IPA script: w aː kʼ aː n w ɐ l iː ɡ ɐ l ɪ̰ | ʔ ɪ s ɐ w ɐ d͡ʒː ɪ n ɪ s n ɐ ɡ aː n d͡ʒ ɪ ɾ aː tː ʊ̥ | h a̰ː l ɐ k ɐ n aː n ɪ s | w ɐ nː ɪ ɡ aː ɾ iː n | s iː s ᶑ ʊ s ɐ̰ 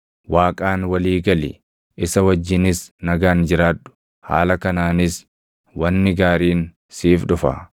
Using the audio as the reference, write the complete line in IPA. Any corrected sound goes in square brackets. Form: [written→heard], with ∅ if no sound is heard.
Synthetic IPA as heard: w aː kʼ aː n w ɐ l iː ɡ ɐ l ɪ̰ | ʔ ɪ s ɐ w ɐ d͡ʒː ɪ n ɪ s n ɐ ɡ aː n d͡ʒ ɪ ɾ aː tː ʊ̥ | h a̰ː l ɐ k ɐ n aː n ɪ s | w ɐ nː ɪ ɡ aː ɾ iː n | s iː [s→f] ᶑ ʊ [s→f] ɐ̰